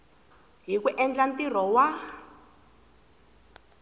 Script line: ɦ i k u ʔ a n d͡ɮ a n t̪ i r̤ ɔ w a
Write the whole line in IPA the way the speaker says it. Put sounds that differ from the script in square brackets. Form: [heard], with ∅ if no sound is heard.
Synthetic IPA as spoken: ɦ i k u ʔ [ɛ] n d͡ɮ a n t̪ i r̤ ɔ w a